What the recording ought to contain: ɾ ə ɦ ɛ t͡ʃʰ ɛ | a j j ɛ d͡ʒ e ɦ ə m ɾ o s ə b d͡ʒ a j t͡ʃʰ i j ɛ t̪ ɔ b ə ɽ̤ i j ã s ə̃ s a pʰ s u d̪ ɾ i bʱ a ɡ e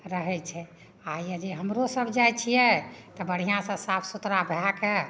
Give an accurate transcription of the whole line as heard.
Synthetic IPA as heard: ɾ ə ɦ ɛ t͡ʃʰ ɛ | a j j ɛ d͡ʒ e ɦ ə m ɾ o s ə b d͡ʒ a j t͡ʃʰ i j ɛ t̪ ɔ b ə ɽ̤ i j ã s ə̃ s a pʰ s u t̪ ɾ a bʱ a k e